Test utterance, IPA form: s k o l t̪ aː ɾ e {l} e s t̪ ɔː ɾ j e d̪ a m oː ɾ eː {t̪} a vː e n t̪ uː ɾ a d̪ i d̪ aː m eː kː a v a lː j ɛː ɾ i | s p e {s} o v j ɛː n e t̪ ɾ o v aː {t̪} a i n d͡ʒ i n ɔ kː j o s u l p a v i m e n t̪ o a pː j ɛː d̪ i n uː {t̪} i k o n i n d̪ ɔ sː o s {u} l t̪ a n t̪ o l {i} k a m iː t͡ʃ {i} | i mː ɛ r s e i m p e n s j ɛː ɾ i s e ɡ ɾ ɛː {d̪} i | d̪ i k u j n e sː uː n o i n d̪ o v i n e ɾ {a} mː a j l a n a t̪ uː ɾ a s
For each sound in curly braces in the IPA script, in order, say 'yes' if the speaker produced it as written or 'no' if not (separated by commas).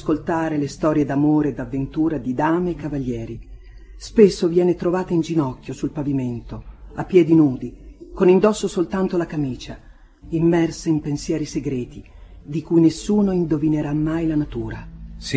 yes, no, no, yes, no, no, no, no, no, yes